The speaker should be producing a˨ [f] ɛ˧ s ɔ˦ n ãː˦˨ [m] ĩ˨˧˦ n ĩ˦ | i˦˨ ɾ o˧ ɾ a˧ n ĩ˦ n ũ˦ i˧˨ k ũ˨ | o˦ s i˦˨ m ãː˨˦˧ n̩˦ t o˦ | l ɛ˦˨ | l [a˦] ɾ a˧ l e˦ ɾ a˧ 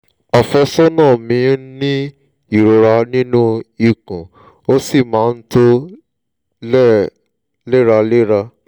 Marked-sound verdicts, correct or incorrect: correct, correct, incorrect: e˦

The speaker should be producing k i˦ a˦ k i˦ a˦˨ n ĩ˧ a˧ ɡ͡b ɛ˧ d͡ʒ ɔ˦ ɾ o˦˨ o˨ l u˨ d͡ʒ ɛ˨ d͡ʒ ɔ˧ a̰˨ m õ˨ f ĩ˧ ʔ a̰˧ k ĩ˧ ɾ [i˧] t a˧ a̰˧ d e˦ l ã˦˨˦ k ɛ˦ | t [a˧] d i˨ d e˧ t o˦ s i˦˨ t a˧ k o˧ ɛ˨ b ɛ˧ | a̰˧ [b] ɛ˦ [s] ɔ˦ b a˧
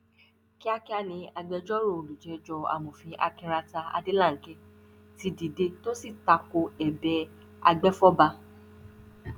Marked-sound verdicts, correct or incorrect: incorrect: a˧, incorrect: i˧, incorrect: ɡ͡b, incorrect: f

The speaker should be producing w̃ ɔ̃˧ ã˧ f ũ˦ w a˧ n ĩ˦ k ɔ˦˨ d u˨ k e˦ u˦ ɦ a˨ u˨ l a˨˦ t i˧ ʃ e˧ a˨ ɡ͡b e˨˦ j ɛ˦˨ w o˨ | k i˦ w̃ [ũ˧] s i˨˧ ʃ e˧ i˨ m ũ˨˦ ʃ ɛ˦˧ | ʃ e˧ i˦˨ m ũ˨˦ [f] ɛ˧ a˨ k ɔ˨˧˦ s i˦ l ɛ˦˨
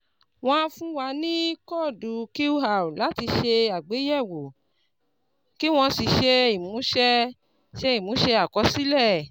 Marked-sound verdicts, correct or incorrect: incorrect: ɔ̃˧, incorrect: ʃ

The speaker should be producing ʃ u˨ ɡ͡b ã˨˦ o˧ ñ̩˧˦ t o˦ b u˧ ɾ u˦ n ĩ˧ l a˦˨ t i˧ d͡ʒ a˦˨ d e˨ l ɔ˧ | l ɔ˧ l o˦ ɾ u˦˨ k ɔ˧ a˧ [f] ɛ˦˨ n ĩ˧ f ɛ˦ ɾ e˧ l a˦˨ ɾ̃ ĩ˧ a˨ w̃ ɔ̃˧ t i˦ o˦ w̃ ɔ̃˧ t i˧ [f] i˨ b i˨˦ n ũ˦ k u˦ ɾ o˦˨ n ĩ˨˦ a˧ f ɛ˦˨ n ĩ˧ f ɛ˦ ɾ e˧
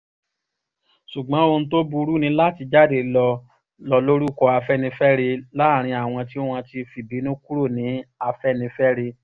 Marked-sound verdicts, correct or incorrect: correct, correct

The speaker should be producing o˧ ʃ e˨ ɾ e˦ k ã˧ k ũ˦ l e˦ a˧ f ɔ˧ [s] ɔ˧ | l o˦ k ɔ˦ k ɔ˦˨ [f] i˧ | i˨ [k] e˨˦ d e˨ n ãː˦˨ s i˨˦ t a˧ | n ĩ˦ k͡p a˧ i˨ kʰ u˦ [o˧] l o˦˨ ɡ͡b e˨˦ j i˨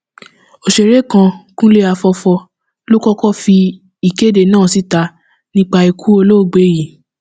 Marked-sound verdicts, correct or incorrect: incorrect: f, correct, correct, correct

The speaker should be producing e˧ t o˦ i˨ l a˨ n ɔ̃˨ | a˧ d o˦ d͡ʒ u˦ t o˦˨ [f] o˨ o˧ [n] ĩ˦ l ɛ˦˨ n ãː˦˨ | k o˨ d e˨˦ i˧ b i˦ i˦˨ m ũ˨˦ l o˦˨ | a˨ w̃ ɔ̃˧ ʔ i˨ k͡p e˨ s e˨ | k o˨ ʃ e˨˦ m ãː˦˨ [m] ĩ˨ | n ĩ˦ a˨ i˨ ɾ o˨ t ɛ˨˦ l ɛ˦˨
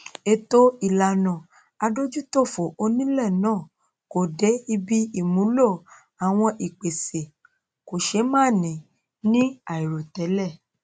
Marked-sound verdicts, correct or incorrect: correct, correct, incorrect: n

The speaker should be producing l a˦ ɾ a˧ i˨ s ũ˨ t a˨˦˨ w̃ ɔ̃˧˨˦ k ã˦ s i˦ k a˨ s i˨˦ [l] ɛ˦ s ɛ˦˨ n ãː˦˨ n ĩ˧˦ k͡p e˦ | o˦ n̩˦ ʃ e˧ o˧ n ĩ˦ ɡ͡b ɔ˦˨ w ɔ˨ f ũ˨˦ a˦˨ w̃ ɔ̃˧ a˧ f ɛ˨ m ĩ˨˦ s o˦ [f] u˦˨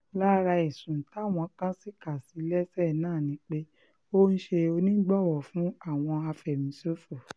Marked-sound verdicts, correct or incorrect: correct, correct

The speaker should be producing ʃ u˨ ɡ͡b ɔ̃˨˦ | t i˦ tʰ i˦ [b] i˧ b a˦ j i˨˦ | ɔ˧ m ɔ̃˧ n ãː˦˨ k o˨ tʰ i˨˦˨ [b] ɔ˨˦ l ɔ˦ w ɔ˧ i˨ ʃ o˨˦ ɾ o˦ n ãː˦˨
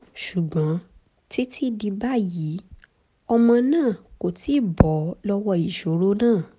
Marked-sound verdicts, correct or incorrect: incorrect: d, correct

